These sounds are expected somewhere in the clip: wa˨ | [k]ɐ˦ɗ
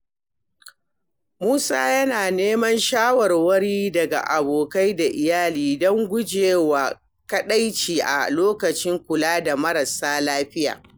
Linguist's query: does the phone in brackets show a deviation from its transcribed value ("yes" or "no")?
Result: no